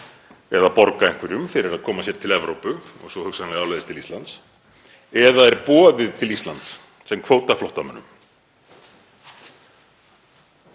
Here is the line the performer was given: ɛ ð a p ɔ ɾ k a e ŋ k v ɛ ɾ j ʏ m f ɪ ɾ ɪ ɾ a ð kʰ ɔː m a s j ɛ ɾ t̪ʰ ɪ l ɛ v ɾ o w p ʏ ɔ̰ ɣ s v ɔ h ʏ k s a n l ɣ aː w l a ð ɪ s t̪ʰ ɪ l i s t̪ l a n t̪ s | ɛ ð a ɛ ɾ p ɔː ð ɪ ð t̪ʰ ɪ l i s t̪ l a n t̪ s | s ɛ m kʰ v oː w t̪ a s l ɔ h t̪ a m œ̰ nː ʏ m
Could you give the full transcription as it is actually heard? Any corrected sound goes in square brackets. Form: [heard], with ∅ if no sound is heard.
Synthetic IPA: ɛ ð a p ɔ ɾ k a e ŋ k v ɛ ɾ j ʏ m f ɪ ɾ ɪ ɾ a ð kʰ ɔː m a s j ɛ ɾ t̪ʰ ɪ l ɛ v ɾ o w p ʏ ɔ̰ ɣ s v ɔ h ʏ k s a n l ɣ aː w l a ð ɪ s t̪ʰ ɪ l i s t̪ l a n t̪ s | ɛ ð a ɛ ɾ p ɔː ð ɪ ð t̪ʰ ɪ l i s t̪ l a n t̪ s | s ɛ m kʰ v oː w t̪ a [f] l ɔ h t̪ a m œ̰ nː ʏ m